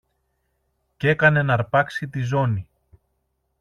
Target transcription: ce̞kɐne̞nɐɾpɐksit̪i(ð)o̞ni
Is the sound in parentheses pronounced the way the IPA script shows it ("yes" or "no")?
no